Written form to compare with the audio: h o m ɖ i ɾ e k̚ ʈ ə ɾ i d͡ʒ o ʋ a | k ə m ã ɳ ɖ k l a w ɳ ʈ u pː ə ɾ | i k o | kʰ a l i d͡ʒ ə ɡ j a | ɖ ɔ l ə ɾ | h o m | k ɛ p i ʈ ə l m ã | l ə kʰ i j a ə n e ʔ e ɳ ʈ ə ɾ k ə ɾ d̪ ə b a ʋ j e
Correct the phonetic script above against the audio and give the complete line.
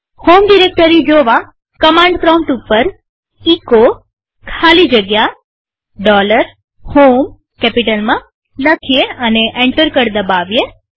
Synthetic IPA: h o m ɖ i ɾ e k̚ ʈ ə ɾ i d͡ʒ o ʋ a | k ə m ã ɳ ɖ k ɾ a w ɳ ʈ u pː ə ɾ | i k o | kʰ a l i d͡ʒ ə ɡ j a | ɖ ɔ l ə ɾ | h o m | k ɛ p i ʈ ə l m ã | l ə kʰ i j e ə n e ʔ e ɳ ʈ ə ɾ k ə ɾ d̪ ə b a ʋ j e